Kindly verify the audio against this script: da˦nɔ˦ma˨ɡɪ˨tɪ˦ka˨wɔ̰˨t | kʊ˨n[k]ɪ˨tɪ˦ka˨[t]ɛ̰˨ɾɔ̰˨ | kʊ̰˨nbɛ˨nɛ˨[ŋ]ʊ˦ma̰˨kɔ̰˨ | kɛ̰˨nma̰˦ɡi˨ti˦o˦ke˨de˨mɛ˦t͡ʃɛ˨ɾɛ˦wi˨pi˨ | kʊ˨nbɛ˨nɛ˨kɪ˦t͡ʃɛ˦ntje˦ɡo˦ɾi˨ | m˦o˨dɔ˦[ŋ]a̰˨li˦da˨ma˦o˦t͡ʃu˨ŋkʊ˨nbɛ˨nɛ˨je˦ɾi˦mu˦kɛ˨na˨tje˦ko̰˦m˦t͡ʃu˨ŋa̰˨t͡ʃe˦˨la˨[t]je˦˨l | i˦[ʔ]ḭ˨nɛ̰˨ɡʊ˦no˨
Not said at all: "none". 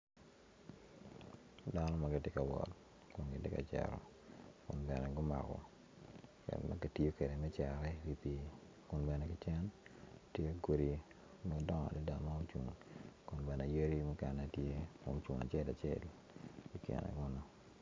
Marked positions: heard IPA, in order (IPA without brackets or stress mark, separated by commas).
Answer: ɡ, t͡ʃ, ɡ, ŋ, t͡ʃ, k